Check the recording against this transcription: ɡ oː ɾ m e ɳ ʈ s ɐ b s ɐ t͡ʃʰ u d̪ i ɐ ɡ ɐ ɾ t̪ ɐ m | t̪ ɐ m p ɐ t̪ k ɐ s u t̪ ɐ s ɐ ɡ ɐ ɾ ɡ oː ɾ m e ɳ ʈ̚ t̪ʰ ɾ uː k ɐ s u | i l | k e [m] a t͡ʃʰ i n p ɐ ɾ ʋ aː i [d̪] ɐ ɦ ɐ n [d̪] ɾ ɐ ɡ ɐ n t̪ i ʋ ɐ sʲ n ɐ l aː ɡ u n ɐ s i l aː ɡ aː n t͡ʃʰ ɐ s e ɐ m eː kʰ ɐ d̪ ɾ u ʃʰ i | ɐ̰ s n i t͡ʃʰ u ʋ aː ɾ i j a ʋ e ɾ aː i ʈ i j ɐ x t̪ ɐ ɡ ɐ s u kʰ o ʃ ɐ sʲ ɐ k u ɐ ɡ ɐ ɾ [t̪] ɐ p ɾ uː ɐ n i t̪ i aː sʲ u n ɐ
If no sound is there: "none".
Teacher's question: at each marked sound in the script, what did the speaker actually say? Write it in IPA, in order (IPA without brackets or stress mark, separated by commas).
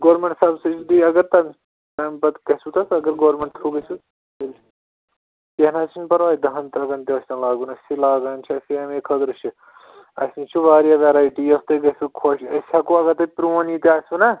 n, d̪, t̪, t̪